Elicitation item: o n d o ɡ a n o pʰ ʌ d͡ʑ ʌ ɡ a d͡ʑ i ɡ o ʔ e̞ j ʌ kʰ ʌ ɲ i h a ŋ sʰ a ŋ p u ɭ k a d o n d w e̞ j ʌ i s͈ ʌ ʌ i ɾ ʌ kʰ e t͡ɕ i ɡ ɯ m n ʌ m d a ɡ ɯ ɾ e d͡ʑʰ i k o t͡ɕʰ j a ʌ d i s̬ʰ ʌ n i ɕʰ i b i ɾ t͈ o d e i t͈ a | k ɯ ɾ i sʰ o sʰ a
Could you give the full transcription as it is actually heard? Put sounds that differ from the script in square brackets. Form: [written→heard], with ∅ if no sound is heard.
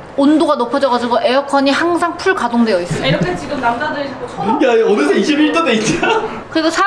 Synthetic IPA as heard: o n d o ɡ a n o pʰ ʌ d͡ʑ ʌ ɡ a d͡ʑ i ɡ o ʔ e̞ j ʌ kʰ ʌ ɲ i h a ŋ sʰ a ŋ [p→pʰ] u ɭ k a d o [n→ŋ] d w e̞ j ʌ i s͈ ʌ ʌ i ɾ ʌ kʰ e t͡ɕ i ɡ ɯ m n [ʌ→a] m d a [ɡ→d] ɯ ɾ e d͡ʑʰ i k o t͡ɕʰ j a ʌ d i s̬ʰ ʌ [n→∅] i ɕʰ i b i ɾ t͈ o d e i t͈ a | k ɯ ɾ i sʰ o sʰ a